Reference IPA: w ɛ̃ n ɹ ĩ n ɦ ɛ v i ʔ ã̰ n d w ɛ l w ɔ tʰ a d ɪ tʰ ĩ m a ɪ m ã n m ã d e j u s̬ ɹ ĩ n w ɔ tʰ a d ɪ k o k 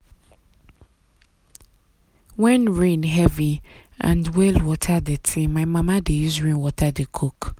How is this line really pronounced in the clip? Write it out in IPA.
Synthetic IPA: w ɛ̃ n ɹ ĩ n ɦ ɛ v i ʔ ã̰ n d w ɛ l w ɔ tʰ a d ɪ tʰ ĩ m a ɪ m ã m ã d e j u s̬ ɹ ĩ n w ɔ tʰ a d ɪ kʰ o k

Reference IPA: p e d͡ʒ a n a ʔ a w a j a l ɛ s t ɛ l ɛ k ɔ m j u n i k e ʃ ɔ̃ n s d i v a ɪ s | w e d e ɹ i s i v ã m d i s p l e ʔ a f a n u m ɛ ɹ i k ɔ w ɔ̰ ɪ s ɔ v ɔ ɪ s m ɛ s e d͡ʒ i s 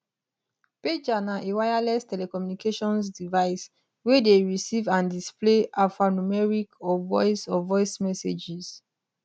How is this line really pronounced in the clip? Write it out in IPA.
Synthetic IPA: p e d͡ʒ a n a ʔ e w a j a l ɛ s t ɛ l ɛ k ɔ m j u n i k e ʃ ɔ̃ n s d i v a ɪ s | w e d e ɹ i s i v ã n d i s p l e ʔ a f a n u m ɛ ɹ i k ɔ v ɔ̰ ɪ s ɔ v ɔ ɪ s m ɛ s e d͡ʒ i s

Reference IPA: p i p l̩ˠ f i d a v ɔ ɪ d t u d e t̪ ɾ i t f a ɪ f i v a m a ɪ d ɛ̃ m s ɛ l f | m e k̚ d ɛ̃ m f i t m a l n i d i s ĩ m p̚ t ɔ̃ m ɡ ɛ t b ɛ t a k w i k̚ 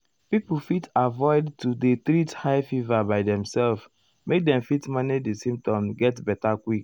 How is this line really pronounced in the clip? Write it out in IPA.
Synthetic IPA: p i p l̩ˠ f i t a v ɔ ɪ d t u d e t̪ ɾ i t h a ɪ f i v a b a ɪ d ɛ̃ m s ɛ l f | m e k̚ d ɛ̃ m f i t m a n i d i s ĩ m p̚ t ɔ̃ m ɡ ɛ t b ɛ t a k w i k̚

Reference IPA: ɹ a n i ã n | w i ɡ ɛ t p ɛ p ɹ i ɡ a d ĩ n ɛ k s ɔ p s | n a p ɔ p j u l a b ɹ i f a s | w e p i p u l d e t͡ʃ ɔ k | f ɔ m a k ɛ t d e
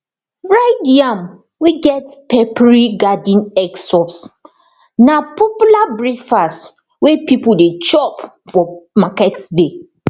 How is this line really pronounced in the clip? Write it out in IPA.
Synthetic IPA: ɹ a d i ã m | w i ɡ ɛ t p ɛ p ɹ i ɡ a d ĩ n ɛ k s ɔ p s | n a p ɔ p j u l a b ɹ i f a s | w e p i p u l d e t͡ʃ ɔ p | f ɔ m a k ɛ t d e

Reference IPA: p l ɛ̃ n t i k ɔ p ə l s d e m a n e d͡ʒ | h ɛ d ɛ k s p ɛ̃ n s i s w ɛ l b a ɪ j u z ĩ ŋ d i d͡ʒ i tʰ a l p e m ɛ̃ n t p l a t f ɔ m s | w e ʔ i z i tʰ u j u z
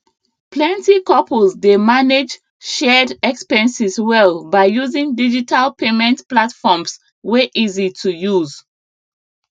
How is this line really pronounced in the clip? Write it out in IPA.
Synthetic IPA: p l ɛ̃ n t i k ɔ p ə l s d e m a n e d͡ʒ | ʃ ɛ d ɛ k s p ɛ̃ n s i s w ɛ l b a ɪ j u z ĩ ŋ d i d͡ʒ i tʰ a l p e m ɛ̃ n t p l a t f ɔ m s | w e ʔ i z i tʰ u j u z

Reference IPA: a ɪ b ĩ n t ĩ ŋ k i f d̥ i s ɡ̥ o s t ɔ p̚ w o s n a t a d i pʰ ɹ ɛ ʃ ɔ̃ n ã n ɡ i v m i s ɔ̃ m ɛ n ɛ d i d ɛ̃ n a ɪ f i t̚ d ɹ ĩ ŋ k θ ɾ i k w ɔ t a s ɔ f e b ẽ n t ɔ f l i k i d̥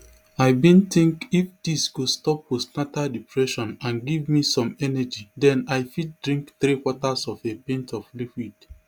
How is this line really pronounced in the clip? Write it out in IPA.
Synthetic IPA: a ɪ b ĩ n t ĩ ŋ k i f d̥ i s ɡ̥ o s t ɔ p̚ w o s n a t a d i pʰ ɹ ɛ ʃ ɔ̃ n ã n ɡ i v m i s ɔ̃ m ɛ n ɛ d͡ʒ i d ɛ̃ n a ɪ f i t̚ d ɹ ĩ ŋ k θ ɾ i k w ɔ t a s ɔ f e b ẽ n t ɔ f l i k i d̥

